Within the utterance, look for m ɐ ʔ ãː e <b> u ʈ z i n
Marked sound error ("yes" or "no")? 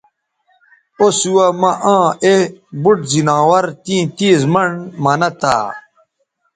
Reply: no